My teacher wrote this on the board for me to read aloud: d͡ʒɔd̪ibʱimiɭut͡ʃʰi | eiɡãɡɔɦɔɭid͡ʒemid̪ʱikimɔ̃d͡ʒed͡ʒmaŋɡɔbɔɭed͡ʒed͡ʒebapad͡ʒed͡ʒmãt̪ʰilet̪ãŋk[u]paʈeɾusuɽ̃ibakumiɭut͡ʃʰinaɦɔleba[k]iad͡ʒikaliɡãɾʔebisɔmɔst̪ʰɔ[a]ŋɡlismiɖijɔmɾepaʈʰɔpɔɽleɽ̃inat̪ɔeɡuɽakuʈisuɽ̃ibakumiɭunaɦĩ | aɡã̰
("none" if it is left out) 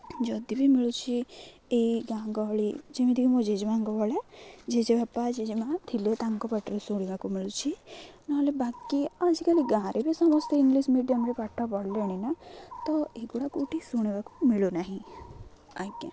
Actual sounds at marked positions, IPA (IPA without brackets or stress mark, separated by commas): ɔ, k, i